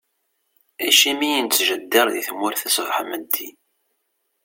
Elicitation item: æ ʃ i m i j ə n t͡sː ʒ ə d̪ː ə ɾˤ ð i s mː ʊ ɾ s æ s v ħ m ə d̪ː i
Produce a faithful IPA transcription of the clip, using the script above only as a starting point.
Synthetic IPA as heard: æ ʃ i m i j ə n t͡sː ʒ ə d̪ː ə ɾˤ ð i θ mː ʊ ɾ θ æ s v ħ m ə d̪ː i